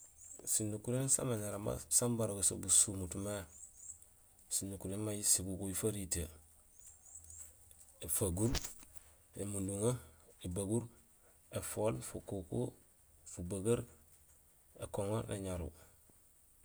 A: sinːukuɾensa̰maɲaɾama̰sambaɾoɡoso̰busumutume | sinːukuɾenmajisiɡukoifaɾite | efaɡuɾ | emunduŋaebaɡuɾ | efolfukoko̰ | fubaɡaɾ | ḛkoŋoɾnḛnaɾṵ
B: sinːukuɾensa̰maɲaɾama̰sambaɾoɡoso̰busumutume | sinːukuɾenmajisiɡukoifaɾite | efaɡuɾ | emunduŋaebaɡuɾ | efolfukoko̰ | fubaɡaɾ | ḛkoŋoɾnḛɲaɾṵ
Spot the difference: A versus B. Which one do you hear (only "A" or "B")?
B